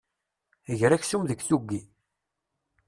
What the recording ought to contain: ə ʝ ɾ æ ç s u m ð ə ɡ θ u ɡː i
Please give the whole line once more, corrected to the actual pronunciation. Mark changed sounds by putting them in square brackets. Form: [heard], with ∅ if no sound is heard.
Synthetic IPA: ə ʝ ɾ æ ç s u m ð ə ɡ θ u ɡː i